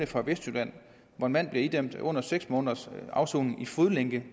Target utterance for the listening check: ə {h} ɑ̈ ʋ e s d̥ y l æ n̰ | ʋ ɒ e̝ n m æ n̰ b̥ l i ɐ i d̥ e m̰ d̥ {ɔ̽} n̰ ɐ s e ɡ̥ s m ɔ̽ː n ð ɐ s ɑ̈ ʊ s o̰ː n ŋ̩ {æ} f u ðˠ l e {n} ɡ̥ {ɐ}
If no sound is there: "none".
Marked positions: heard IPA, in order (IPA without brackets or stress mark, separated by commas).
f, ɔ̽, i, ŋ, ə